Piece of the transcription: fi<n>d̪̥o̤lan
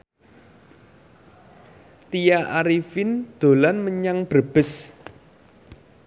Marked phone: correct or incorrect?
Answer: correct